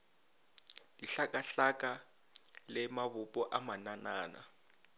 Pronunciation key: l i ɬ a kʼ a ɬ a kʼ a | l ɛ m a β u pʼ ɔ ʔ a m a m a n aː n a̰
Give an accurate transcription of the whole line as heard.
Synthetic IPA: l i ɬ a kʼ a ɬ a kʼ a | l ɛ m a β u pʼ ɔ ʔ a m a n a n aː n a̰